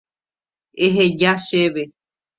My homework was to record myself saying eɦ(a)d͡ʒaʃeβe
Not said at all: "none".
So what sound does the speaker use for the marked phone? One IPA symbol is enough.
e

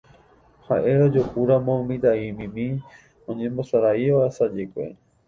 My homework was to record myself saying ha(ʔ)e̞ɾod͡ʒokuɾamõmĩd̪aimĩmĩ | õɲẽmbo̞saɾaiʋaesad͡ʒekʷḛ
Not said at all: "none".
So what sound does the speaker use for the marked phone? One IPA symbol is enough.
ʔ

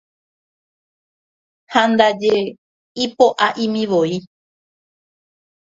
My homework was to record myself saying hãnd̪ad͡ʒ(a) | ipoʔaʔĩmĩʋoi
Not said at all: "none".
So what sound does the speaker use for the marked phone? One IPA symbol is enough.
e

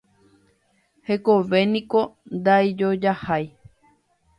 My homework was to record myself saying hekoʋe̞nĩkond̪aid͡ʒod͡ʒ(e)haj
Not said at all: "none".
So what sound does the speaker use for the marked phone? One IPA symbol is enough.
a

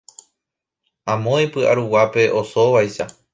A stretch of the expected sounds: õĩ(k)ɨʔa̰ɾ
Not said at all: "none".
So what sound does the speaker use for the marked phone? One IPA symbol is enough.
p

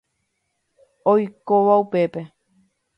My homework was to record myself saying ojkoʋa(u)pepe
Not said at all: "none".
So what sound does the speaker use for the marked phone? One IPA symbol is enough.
u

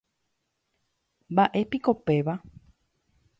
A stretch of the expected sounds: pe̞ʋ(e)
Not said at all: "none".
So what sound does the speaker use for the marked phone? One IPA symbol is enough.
a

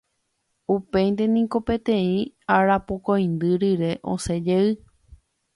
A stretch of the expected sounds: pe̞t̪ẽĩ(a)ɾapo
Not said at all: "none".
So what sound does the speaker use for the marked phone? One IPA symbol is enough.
a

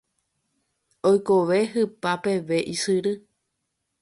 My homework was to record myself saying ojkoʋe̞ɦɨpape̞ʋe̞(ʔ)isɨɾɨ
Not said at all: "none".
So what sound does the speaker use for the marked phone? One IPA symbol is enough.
ʔ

